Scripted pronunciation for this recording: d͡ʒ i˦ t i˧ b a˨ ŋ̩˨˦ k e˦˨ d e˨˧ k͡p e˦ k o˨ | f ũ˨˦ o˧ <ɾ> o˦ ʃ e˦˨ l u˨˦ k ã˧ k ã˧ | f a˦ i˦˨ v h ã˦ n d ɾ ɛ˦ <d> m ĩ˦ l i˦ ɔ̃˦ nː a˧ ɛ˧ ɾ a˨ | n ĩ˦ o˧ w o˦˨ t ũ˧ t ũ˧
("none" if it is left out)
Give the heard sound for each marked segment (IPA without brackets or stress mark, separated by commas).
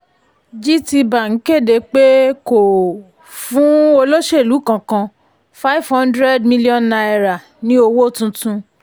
l, d